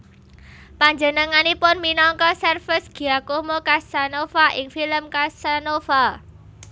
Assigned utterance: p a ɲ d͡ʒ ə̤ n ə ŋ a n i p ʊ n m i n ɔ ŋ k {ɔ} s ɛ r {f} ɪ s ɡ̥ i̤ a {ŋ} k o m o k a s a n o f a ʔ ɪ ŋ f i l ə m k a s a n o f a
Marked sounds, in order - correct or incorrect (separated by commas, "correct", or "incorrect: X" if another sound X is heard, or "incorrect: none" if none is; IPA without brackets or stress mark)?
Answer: correct, correct, incorrect: none